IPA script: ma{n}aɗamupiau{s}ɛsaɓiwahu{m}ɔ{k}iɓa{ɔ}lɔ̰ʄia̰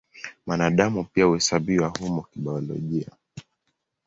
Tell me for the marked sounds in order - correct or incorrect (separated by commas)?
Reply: correct, incorrect, correct, correct, correct